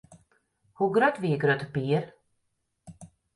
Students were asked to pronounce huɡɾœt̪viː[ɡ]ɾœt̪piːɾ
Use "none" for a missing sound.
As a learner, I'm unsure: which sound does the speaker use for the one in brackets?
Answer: ɡ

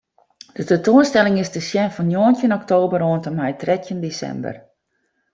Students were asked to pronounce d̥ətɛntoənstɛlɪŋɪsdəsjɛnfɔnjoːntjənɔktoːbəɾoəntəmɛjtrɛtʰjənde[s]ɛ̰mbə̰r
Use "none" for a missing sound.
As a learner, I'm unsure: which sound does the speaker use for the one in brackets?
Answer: s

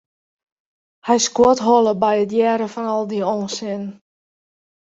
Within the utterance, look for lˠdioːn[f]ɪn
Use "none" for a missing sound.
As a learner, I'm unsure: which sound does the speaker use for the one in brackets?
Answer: s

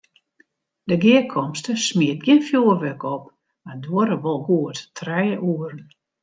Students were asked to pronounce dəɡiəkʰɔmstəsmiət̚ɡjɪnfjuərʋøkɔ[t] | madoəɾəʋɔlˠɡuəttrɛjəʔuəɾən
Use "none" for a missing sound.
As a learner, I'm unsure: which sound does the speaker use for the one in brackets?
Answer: p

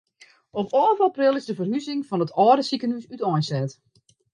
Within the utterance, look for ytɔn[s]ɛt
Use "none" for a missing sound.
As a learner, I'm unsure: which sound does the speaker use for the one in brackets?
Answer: s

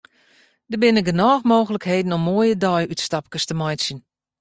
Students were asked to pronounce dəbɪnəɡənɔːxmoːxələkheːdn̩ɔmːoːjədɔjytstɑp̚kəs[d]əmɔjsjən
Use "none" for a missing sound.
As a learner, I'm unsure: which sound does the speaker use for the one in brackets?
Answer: t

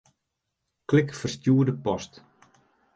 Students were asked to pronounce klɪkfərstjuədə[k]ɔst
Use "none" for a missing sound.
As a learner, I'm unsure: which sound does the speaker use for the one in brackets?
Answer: p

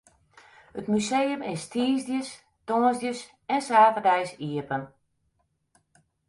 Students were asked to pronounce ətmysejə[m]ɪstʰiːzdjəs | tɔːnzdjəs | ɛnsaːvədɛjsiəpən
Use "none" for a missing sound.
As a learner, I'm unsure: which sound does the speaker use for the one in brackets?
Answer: m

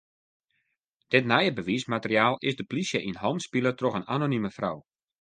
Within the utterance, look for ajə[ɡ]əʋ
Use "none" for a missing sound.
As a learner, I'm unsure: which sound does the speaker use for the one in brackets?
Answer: b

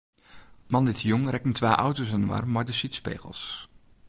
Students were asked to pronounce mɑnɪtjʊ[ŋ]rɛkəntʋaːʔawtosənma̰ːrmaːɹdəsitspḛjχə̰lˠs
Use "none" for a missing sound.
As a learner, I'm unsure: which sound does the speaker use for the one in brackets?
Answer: ŋ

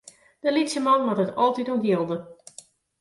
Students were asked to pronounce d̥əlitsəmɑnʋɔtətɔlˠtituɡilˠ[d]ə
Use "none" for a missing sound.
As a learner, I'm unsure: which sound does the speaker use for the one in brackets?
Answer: d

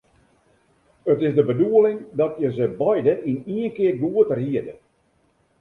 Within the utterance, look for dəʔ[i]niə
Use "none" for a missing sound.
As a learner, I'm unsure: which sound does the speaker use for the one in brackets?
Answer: i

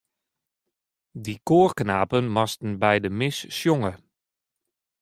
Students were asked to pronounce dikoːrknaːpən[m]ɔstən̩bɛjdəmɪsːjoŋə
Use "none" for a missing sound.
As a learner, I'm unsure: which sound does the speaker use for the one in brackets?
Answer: m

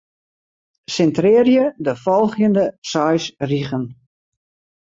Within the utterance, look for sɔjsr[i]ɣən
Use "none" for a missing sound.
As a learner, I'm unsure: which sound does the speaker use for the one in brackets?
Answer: i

